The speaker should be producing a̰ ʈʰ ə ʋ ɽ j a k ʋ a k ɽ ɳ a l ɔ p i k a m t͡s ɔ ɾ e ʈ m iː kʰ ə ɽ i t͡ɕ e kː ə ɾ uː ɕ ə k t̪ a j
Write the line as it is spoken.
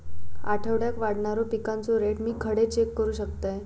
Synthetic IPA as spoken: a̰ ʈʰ ə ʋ ɽ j a k ʋ a ɽ ɳ a ɾ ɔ p i k a n t͡s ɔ ɾ e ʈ m iː kʰ ə ɽ e t͡ɕ e kː ə ɾ uː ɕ ə k t̪ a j

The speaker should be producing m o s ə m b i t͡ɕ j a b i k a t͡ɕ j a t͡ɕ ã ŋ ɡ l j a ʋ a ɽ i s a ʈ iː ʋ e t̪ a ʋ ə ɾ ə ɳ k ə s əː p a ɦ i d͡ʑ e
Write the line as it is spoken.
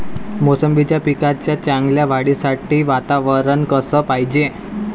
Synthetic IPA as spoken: m o s ə m b i t͡ɕ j a p i k a t͡ɕ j a t͡ɕ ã ŋ ɡ l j a ʋ a ɽ i s a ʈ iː ʋ a t̪ a ʋ ə ɾ ə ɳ k ə s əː p a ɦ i d͡ʑ e

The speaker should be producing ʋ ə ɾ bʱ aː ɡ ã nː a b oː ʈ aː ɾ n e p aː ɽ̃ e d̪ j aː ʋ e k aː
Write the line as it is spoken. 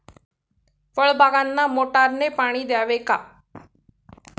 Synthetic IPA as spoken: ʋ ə ɭ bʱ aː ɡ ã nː a m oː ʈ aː ɾ n e p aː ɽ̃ i d̪ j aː ʋ e k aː

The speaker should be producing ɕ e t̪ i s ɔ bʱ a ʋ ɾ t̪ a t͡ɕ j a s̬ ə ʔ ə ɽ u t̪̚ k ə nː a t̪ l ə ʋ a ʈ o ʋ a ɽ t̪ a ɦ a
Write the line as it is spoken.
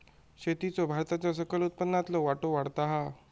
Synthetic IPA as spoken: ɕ e t̪ i t͡s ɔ bʱ a ɾ t̪ a t͡ɕ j a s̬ ə k ə l u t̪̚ p ə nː a t̪ l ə ʋ a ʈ o ʋ a ɽ t̪ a ɦ a

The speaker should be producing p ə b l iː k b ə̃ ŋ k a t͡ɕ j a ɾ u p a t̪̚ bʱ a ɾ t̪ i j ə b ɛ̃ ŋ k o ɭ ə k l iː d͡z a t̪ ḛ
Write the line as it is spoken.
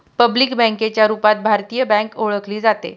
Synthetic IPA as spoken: p ə b l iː k b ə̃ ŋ k e t͡ɕ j a ɾ u p a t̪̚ bʱ a ɾ t̪ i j ə b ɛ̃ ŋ k o ɭ ə k l iː d͡z a t̪ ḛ

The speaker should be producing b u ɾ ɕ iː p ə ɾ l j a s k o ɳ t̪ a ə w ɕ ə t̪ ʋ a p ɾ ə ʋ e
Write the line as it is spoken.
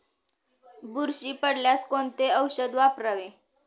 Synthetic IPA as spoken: b u ɾ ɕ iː p ə ɽ l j a s k o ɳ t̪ e ə w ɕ ə d̪ ʋ a p ɾ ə ʋ e

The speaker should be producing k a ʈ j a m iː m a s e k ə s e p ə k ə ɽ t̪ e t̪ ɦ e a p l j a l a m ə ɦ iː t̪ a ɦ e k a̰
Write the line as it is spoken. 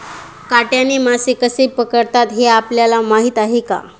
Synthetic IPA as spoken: k a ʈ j a n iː m a s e k ə s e p ə k ə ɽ t̪ a t̪ ɦ e a p l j a l a m a ɦ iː t̪ a ɦ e k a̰

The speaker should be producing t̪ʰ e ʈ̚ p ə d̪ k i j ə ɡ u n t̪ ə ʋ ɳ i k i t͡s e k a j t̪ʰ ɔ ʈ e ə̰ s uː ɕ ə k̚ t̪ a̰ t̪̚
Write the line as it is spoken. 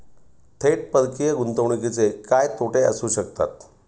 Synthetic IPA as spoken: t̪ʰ e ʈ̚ p ə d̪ k i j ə ɡ u n t̪ ə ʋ ɳ i k i t͡s e k a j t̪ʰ o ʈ e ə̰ s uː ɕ ə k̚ t̪ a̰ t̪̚

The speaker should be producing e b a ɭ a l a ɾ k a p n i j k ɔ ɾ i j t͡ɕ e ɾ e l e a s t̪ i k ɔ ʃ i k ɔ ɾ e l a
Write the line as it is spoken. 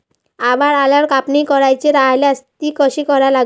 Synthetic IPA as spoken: a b a ɾ a l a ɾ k a p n i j k ɔ ɾ a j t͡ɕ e ɾ a l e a s t̪ i k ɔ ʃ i k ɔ ɾ a l a

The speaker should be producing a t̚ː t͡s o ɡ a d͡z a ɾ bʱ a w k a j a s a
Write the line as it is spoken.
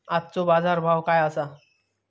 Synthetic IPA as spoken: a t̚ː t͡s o b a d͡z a ɾ bʱ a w k a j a s a

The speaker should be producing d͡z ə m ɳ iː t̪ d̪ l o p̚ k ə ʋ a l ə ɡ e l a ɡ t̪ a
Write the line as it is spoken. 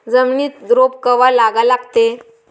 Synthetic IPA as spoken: d͡z ə m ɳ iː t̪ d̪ ɾ o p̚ k ə ʋ a l a ɡ a l a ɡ t̪ e

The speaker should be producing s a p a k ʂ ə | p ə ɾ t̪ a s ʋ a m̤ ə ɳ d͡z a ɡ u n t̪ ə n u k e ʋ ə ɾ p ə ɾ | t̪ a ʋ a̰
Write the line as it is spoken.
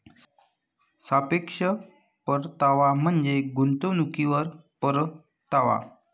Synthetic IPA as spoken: s a p e k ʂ ə | p ə ɾ t̪ a ʋ a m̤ ə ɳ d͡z e ɡ u n t̪ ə n u k i ʋ ə ɾ p ə ɾ | t̪ a ʋ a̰

